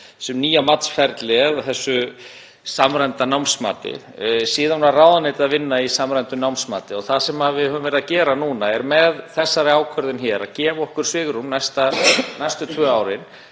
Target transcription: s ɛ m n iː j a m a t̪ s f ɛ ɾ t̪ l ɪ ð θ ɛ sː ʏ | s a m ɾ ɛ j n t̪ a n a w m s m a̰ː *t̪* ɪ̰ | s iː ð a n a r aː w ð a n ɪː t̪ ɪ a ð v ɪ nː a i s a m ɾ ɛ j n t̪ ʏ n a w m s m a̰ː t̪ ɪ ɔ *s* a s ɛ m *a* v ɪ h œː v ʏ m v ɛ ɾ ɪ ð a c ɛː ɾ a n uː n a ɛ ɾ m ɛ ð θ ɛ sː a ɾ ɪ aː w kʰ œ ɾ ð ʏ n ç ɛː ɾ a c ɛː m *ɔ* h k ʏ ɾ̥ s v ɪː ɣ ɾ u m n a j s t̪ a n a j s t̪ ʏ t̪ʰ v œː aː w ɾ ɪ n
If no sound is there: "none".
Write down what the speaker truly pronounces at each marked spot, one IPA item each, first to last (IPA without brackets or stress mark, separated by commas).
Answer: t̪, θ, a, ɔ